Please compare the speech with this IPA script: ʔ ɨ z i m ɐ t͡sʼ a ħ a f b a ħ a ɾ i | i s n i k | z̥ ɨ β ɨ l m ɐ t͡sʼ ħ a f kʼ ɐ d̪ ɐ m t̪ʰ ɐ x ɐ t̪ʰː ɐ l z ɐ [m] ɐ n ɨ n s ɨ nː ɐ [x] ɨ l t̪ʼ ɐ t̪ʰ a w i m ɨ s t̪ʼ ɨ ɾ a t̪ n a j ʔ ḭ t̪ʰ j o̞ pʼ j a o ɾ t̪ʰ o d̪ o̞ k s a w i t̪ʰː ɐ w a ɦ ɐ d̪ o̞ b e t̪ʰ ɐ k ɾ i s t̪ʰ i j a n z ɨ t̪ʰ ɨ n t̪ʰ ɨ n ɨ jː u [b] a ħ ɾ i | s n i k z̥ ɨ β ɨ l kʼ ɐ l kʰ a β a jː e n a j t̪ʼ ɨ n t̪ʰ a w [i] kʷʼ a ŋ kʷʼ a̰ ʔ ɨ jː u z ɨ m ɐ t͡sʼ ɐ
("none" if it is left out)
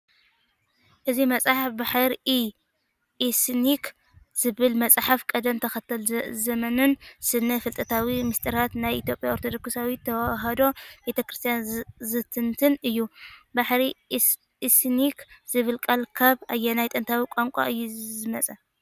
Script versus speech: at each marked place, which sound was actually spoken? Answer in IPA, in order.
m, f, b, i

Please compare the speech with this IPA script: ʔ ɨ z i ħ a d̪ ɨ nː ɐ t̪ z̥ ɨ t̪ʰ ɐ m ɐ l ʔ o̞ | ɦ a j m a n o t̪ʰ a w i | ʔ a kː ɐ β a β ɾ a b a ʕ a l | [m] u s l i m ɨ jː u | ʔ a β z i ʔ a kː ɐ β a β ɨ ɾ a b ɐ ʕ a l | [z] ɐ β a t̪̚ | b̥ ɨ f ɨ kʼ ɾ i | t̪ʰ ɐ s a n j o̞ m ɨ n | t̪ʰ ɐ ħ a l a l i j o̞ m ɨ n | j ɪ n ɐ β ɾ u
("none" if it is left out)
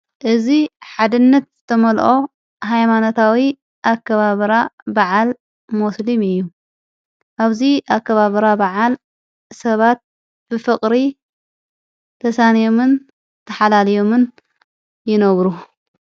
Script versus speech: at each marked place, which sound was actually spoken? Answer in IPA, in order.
m, s

